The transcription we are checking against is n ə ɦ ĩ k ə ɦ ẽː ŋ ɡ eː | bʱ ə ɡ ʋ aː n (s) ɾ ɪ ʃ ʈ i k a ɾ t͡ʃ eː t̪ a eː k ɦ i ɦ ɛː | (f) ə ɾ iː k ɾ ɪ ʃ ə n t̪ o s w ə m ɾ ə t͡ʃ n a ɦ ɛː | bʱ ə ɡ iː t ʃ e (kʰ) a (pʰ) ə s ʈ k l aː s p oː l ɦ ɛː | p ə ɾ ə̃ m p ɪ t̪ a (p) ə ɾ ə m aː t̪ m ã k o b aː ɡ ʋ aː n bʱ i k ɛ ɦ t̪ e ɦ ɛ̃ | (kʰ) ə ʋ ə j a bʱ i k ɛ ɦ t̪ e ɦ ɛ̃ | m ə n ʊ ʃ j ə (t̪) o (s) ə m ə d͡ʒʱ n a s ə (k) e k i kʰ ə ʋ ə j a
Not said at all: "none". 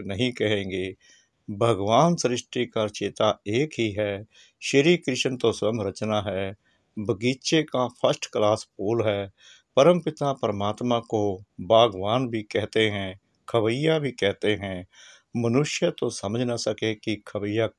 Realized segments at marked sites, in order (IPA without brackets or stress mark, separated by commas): s, ʃ, k, pʰ, p, kʰ, t̪, s, k